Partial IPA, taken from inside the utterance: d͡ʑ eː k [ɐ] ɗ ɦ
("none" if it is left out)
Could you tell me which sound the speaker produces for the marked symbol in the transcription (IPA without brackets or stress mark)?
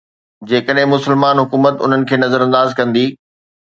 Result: ə